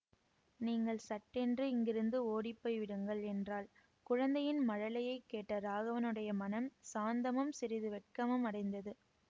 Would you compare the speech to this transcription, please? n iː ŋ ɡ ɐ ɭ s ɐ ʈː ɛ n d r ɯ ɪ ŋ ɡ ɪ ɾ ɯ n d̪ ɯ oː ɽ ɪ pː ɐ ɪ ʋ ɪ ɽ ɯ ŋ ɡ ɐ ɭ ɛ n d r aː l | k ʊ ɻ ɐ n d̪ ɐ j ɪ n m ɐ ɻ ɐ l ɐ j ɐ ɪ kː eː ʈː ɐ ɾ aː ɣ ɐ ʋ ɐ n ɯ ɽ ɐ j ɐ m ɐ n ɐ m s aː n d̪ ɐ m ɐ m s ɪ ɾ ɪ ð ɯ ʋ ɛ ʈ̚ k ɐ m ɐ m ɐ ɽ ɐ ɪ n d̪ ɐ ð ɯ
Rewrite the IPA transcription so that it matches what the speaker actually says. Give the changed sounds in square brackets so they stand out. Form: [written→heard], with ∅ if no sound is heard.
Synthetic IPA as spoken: n iː ŋ ɡ ɐ ɭ s ɐ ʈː ɛ n d r ɯ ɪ ŋ ɡ ɪ ɾ ɯ n d̪ ɯ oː ɽ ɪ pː ɐ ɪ ʋ ɪ ɽ ɯ ŋ ɡ ɐ ɭ ɛ n d r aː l | k ʊ ɻ ɐ n d̪ ɐ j ɪ n m ɐ ɻ ɐ l ɐ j ɐ ɪ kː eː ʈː ɐ ɾ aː ɣ ɐ ʋ ɐ n ɯ ɽ ɐ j ɐ m ɐ n ɐ m s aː n d̪ ɐ m ɐ m s ɪ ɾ ɪ ð ɯ ʋ ɛ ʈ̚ k ɐ m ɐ m ɐ ɽ ɐ ɪ n d̪ ɐ ð ɯ